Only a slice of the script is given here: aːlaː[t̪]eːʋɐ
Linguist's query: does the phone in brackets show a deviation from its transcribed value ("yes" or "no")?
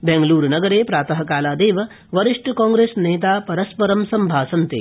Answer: yes